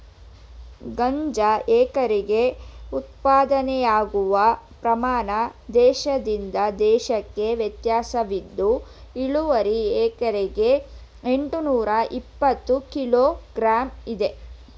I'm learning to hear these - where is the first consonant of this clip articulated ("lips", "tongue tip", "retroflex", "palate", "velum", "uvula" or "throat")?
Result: velum